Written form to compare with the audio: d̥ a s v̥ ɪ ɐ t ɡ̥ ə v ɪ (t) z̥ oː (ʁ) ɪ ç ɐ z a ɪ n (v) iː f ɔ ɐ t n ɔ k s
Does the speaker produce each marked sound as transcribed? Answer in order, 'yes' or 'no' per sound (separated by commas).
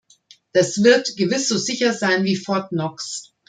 no, no, yes